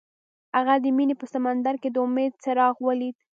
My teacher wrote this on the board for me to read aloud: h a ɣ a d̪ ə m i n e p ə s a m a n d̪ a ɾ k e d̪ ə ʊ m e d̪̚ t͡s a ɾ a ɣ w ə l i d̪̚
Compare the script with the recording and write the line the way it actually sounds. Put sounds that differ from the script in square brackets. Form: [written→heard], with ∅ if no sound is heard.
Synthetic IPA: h a ɣ a d̪ ə m i n e p ə s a m a n d̪ a ɾ k e d̪ ə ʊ m e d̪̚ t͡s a ɾ [a→ɑ] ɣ w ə l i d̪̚